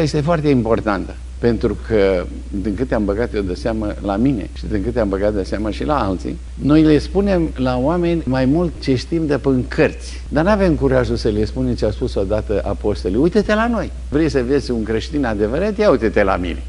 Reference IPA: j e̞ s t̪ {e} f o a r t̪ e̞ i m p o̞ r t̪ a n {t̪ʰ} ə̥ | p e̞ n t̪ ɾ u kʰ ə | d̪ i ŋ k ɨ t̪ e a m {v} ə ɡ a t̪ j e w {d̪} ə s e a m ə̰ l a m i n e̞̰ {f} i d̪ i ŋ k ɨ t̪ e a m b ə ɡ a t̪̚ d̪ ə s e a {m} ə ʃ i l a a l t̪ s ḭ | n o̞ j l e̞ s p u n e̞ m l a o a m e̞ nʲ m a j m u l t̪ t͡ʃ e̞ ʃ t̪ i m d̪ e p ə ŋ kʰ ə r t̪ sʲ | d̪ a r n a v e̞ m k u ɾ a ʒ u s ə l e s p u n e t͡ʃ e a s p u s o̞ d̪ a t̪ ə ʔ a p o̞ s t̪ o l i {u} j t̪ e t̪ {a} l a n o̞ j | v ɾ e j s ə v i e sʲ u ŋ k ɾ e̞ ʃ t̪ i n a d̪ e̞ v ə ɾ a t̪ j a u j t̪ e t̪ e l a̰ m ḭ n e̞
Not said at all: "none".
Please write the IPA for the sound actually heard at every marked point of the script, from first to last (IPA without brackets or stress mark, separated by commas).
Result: e, t̪, b, d̪, ʃ, m, u, e